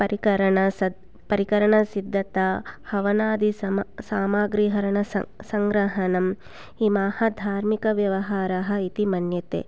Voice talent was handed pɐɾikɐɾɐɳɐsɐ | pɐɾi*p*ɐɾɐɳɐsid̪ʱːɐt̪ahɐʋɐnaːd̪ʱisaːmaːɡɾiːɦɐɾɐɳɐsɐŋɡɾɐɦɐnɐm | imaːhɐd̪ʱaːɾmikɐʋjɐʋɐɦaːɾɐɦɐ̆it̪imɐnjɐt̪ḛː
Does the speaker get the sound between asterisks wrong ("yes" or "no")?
yes